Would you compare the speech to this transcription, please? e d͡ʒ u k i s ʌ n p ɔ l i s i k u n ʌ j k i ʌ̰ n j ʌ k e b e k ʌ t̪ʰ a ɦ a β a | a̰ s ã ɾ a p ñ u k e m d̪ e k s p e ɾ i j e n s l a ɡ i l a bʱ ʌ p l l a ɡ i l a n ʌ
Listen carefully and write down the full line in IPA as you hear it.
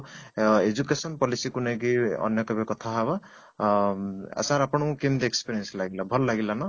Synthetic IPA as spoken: e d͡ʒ u k e s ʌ n p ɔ l i s i k u n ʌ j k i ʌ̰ n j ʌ k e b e k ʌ t̪ʰ a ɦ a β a | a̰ s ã ɾ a p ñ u k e m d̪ e k s p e ɾ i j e n s l a ɡ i l a bʱ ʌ l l a ɡ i l a n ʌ